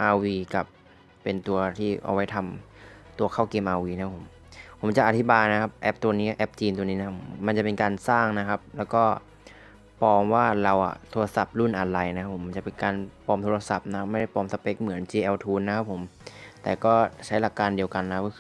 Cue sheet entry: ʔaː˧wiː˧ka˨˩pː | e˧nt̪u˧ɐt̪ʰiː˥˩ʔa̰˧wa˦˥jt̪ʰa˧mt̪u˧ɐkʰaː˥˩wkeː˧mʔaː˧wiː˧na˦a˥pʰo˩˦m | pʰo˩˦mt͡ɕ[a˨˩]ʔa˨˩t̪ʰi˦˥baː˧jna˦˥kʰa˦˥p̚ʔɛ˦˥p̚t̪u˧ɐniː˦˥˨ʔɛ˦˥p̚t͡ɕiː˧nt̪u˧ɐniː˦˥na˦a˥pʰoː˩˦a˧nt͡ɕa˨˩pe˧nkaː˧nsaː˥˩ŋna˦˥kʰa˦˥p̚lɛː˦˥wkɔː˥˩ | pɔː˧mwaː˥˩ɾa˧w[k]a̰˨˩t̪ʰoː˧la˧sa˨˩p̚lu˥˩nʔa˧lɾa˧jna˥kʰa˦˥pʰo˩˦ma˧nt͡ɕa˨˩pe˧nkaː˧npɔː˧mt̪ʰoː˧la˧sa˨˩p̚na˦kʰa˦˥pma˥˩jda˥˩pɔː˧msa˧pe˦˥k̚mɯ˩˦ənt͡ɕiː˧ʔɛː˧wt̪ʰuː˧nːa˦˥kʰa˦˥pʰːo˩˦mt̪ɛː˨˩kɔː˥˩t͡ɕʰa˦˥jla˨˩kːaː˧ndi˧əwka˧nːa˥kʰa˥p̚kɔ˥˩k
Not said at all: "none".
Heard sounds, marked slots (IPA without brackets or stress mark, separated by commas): a˨˩, ʔ